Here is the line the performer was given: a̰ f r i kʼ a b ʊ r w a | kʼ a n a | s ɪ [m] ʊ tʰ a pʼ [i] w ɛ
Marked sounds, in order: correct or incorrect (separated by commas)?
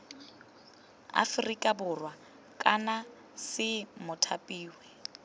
correct, incorrect